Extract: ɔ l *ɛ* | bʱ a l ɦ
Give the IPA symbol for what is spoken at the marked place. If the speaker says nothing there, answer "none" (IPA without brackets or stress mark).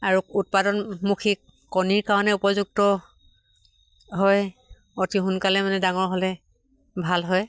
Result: ɛ